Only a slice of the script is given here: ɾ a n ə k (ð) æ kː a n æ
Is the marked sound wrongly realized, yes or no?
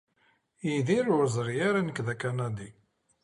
no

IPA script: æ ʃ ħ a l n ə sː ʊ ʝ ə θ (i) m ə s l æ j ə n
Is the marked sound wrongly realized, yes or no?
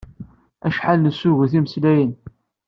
no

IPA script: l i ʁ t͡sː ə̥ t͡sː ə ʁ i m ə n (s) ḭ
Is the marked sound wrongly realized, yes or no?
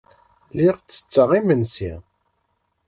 no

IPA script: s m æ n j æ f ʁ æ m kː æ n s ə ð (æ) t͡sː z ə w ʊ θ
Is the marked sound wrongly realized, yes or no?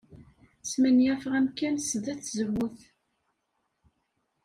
no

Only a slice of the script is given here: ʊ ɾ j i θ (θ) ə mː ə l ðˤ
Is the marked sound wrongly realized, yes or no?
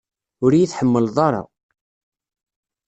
yes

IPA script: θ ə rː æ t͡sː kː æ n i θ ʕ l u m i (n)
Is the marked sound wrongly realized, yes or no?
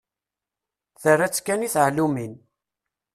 no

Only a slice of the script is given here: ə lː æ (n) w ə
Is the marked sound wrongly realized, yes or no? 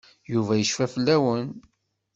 yes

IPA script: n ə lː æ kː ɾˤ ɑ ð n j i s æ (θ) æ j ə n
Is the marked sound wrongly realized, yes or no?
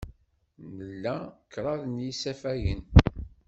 yes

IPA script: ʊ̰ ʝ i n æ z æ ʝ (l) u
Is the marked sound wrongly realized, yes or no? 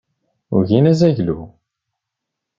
no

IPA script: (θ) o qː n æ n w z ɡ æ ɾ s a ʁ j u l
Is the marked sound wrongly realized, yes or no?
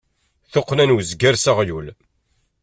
no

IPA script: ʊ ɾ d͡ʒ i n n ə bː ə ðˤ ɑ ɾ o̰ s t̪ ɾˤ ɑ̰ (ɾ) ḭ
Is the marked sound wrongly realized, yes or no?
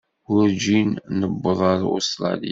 yes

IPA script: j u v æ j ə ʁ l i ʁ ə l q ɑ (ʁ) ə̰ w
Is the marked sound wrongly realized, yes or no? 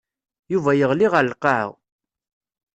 yes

